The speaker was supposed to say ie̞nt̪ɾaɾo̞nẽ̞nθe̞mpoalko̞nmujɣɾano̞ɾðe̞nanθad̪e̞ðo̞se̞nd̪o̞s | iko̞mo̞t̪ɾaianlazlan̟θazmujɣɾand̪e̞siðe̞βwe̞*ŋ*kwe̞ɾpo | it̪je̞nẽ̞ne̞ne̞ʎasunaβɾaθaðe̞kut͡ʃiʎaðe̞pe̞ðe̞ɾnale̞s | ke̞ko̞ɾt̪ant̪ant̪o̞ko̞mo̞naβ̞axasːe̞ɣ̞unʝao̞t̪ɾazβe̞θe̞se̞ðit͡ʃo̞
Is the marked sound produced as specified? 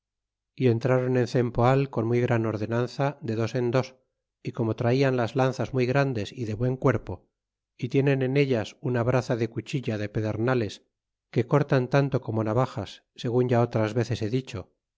yes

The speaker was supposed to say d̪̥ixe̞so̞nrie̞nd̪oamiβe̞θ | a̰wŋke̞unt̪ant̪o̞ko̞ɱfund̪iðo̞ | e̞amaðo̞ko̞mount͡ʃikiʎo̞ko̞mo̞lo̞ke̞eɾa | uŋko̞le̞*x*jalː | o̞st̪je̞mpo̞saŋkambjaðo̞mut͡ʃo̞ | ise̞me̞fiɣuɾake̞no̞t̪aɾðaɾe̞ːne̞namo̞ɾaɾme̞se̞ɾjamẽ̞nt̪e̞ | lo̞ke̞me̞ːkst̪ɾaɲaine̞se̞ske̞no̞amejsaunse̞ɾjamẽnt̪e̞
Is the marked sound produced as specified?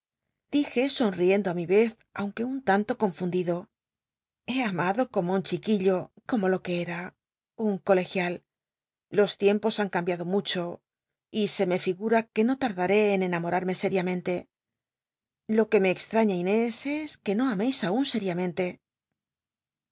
yes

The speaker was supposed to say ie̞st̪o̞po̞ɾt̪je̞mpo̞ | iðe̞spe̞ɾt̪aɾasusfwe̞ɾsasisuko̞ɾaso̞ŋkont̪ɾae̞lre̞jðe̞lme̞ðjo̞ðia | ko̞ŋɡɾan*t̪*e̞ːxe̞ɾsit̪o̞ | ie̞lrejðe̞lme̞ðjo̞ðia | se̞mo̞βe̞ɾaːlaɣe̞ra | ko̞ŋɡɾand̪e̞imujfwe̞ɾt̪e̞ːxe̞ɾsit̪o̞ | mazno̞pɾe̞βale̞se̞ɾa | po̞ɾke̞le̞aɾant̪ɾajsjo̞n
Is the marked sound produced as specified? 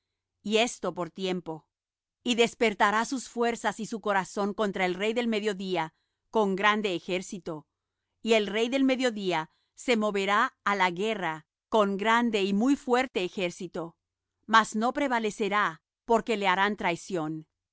no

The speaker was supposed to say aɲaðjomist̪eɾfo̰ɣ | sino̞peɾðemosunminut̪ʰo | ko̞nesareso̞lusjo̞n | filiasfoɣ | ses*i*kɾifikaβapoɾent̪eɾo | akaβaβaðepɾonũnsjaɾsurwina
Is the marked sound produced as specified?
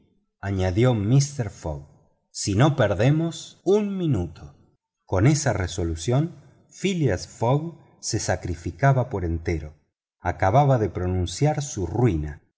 no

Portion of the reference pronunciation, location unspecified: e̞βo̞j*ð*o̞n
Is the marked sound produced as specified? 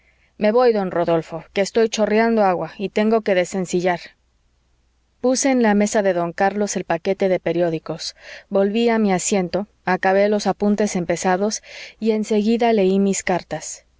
yes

